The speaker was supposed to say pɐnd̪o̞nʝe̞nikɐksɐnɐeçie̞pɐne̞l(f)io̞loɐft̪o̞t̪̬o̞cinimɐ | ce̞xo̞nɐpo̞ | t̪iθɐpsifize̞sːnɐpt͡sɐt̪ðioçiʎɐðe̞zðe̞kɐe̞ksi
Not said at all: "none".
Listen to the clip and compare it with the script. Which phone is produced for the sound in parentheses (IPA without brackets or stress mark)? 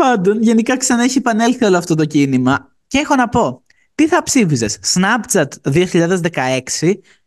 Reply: θ